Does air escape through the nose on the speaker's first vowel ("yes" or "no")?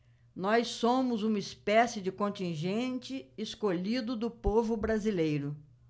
no